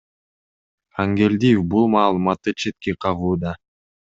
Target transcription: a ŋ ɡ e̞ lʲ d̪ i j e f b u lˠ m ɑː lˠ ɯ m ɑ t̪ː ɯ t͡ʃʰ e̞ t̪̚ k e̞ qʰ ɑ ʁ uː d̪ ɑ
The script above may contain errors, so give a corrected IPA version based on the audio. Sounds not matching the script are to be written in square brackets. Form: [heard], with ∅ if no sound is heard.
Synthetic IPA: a ŋ ɡ e̞ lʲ d̪ i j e f b u lˠ m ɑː lˠ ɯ m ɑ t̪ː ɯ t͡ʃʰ e̞ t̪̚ k e̞ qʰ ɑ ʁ uː d̪ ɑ